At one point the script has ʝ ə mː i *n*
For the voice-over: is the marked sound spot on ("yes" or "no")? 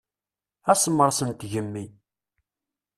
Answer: no